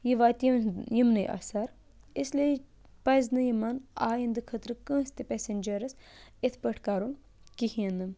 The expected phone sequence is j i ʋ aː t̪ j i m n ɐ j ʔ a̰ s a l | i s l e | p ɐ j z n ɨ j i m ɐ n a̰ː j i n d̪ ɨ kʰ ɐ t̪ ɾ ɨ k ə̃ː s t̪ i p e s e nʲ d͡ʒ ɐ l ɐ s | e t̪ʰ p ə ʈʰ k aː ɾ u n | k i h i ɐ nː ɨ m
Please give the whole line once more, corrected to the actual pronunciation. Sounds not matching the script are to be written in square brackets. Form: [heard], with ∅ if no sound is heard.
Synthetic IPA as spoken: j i ʋ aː t̪ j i m n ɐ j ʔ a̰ s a [ɾ] | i s l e | p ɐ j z n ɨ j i m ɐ n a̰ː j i n d̪ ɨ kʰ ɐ t̪ ɾ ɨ k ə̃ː s t̪ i p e s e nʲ d͡ʒ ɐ [ɾ] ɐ s | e t̪ʰ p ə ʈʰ k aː ɾ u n | k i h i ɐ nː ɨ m